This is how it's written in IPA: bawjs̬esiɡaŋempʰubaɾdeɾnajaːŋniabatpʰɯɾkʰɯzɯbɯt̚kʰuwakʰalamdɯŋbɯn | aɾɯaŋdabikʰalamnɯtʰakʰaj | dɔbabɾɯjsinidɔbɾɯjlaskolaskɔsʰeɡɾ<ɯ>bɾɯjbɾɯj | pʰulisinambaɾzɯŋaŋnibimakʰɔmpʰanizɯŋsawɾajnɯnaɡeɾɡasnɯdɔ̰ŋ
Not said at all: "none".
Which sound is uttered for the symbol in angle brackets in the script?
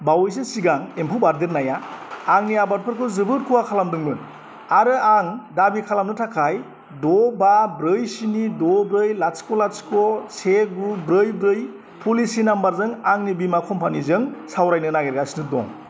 u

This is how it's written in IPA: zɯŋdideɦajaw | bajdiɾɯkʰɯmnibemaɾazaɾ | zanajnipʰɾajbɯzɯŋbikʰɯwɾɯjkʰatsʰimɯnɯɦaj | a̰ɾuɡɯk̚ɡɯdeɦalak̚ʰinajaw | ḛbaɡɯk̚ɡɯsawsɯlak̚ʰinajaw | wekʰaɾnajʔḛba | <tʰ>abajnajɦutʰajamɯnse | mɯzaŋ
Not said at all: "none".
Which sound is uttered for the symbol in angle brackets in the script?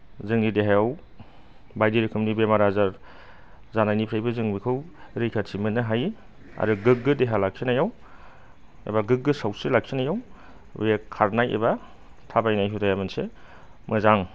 tʰ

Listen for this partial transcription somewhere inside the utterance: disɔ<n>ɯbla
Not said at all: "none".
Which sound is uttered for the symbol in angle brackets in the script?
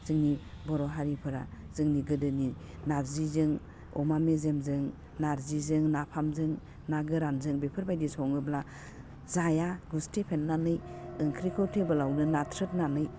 ŋ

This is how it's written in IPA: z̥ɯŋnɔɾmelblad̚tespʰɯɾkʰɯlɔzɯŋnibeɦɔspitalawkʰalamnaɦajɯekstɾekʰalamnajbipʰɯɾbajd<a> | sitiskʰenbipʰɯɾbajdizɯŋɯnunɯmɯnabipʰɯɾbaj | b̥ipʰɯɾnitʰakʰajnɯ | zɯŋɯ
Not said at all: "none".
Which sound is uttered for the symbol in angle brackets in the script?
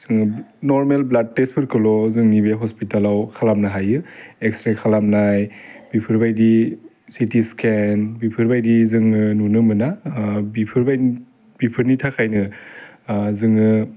i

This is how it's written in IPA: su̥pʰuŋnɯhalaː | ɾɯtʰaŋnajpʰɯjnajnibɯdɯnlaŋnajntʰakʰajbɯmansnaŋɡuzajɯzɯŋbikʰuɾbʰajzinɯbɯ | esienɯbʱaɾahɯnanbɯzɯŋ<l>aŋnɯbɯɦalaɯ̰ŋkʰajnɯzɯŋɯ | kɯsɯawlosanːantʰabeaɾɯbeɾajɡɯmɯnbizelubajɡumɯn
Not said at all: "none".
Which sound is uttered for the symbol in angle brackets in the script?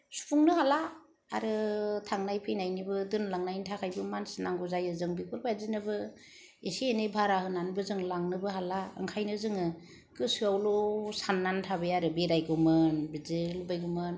l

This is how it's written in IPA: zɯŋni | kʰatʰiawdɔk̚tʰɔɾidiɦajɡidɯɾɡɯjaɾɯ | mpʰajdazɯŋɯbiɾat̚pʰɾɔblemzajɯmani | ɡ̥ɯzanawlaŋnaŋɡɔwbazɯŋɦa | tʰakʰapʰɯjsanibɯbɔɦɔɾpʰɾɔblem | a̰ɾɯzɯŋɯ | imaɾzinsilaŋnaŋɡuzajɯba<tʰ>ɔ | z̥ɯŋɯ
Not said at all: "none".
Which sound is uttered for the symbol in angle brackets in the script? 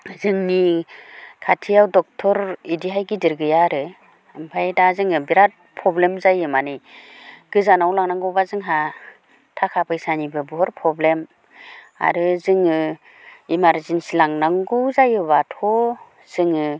tʰ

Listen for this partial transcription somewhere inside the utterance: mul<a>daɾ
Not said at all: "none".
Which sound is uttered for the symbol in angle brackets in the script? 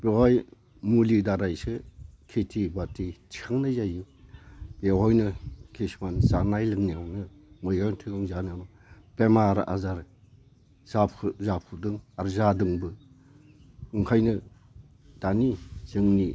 i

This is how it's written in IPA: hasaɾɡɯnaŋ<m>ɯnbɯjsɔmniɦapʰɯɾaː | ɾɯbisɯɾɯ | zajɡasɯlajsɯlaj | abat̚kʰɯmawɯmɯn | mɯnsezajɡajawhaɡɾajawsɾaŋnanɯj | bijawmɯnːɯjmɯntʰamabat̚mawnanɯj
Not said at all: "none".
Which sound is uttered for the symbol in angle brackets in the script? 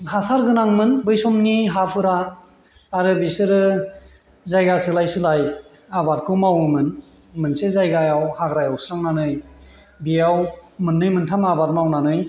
m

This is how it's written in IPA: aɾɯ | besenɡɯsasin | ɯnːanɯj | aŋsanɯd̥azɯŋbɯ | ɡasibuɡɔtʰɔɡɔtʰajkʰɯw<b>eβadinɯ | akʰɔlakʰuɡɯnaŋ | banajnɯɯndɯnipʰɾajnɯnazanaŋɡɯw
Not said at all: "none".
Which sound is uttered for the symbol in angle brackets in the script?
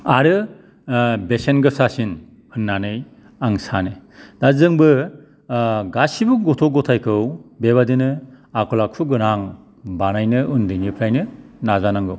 b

